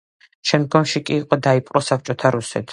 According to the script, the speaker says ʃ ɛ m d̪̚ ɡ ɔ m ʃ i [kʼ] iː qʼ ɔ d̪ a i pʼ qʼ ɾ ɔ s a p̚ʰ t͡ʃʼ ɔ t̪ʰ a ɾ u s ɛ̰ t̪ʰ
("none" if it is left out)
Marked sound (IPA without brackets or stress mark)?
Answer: kʼ